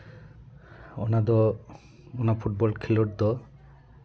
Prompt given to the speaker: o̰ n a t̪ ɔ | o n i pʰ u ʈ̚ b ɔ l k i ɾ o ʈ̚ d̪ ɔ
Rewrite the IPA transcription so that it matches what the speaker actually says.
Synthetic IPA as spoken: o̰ n a d̪ ɔ | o n a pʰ u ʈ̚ b ɔ l kʰ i l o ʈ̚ d̪ ɔ